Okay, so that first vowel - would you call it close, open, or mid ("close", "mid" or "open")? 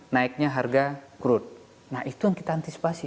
open